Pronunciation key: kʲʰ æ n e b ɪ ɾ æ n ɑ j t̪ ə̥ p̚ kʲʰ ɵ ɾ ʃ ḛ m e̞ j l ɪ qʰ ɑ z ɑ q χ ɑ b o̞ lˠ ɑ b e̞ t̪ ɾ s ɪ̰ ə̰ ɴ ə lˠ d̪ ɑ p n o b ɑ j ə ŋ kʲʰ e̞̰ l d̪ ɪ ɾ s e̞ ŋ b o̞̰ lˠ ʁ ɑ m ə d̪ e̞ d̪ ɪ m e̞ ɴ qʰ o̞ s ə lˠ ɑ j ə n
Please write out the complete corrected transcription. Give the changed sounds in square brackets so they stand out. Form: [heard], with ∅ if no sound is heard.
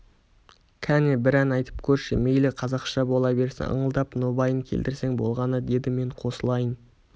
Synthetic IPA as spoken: kʲʰ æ n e b ɪ ɾ æ n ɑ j t̪ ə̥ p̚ kʲʰ ɵ ɾ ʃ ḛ m e̞ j l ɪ qʰ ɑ z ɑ q [ʃ] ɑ b o̞ lˠ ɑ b e̞ [∅] ɾ s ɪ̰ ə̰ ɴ ə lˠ d̪ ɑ p n o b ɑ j ə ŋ kʲʰ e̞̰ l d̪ ɪ ɾ s e̞ ŋ b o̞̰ lˠ ʁ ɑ [n] ə d̪ e̞ d̪ ɪ m e̞ ɴ qʰ o̞ s ə lˠ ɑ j ə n